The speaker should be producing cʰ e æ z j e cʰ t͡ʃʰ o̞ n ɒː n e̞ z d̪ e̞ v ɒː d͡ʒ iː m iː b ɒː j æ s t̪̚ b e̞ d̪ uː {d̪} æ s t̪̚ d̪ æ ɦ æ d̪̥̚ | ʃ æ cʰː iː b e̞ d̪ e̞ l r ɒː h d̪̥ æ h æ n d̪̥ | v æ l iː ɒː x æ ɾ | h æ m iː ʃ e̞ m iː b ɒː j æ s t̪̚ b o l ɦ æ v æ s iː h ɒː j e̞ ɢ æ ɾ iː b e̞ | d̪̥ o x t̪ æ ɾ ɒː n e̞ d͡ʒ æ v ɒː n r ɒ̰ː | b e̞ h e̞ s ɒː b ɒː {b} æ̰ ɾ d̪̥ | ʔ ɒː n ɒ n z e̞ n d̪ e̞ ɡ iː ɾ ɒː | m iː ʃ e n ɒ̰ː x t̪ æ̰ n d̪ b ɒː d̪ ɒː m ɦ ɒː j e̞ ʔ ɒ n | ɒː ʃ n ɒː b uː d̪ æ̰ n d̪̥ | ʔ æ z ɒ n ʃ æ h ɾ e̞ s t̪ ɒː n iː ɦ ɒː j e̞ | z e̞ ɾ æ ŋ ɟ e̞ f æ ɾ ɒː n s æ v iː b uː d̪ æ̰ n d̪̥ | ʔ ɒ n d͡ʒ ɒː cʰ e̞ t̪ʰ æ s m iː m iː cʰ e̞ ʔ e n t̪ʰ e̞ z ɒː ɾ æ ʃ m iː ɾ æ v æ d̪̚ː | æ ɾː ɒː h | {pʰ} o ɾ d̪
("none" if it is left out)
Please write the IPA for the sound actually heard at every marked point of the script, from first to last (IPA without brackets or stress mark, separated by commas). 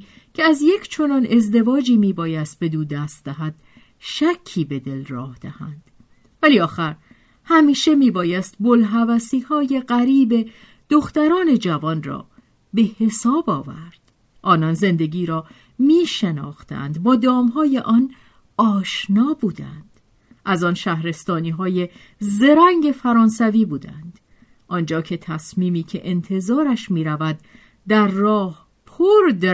d̪, v, pʰ